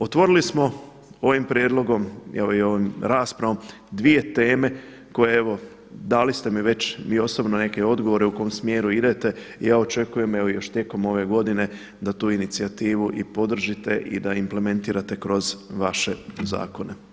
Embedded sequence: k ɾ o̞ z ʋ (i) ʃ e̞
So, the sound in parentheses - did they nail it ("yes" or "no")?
no